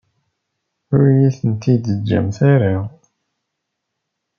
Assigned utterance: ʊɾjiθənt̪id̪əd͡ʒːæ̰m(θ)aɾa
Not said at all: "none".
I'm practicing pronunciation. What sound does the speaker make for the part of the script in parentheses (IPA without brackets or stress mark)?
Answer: θ